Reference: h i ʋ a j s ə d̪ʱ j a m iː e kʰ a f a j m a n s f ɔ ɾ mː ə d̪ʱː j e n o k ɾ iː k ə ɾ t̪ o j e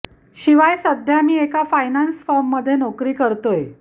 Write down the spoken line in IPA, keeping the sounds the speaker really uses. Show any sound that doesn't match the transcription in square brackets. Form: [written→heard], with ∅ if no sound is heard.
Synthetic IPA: [h→ɕ] i ʋ a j s ə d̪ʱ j a m iː e [kʰ→k] a f a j [m→n] a n s f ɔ ɾ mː ə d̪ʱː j e n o k ɾ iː k ə ɾ t̪ o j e